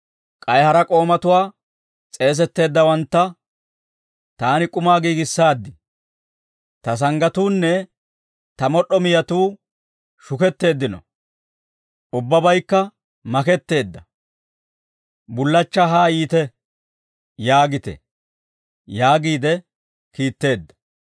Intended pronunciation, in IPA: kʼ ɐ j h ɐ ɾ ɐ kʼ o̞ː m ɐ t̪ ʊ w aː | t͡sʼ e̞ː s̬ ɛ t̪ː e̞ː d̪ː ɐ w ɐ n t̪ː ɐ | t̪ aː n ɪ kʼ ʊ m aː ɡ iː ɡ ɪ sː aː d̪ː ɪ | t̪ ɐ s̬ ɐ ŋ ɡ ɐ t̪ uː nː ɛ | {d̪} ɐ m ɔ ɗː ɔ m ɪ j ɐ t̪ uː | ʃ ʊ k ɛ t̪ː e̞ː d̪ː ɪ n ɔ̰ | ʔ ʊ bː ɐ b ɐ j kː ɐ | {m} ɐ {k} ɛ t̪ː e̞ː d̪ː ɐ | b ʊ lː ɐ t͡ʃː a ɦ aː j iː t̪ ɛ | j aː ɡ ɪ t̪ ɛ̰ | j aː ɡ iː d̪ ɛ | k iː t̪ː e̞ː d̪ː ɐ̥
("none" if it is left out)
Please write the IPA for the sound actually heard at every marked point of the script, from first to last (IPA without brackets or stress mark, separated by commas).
t̪, m, k